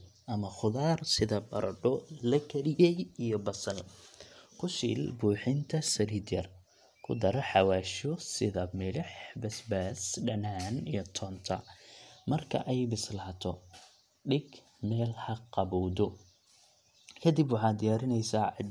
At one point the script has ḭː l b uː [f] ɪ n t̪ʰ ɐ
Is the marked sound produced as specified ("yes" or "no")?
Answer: no